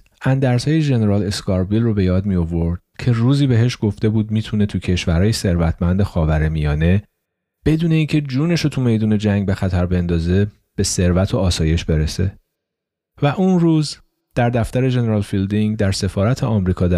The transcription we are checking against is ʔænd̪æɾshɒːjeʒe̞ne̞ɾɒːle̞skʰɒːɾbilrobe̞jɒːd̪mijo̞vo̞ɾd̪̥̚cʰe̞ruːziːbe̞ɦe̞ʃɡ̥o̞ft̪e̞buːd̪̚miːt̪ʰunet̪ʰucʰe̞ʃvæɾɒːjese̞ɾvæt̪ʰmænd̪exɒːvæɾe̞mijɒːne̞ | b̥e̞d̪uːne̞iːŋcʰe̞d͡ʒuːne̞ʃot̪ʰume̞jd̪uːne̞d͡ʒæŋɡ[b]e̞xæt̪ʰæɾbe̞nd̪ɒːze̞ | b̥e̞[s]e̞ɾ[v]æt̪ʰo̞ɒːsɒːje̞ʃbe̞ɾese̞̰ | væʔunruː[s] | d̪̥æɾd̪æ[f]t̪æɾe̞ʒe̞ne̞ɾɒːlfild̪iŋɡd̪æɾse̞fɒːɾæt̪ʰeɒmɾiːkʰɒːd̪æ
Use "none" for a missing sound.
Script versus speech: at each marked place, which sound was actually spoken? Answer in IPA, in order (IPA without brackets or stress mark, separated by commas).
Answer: b, s, v, z, f